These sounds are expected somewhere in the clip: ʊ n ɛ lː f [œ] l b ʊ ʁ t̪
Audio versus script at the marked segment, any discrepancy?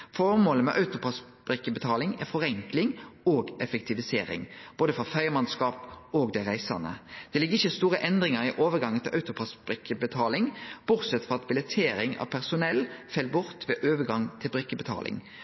yes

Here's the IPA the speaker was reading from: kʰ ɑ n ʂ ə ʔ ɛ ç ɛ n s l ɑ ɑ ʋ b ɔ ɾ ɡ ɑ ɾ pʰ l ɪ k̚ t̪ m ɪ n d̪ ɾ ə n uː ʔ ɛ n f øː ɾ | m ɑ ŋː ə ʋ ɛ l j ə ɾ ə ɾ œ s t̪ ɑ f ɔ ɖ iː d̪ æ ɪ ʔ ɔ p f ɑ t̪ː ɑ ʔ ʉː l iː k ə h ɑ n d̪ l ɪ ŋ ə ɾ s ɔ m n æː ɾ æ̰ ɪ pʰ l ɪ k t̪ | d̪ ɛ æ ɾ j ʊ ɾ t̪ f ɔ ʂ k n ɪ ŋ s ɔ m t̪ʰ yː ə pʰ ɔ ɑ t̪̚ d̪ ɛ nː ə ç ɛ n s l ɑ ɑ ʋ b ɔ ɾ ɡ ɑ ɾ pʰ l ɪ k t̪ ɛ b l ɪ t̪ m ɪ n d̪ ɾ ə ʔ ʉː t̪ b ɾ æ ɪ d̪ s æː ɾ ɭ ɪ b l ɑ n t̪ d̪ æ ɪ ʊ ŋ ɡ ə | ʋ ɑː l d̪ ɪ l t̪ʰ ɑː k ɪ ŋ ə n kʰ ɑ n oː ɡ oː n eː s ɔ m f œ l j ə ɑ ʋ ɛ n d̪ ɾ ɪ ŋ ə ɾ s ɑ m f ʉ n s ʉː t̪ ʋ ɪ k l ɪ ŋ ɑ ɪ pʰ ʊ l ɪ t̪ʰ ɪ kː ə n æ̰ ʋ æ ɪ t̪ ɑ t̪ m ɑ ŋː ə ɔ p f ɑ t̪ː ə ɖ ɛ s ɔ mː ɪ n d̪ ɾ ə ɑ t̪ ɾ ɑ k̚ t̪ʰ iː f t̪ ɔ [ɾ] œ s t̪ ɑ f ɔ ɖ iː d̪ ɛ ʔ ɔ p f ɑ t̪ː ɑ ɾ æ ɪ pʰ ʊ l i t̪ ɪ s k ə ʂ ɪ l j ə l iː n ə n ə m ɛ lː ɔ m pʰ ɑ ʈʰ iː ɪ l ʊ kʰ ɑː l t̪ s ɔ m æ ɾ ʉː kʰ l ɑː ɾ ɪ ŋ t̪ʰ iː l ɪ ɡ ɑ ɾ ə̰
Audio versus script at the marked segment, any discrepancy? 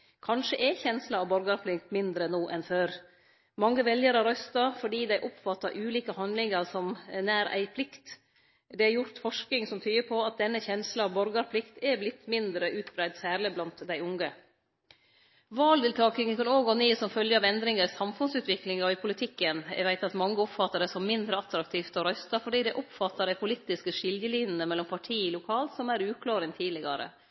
no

